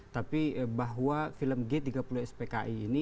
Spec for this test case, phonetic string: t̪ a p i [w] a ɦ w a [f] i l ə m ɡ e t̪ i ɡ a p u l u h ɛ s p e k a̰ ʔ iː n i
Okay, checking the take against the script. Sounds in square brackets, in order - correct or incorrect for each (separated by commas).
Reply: incorrect, correct